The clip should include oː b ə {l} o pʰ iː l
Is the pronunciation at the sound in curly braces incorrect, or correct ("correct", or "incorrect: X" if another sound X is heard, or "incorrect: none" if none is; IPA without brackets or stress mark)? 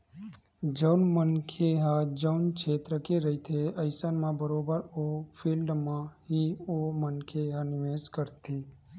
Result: incorrect: ɾ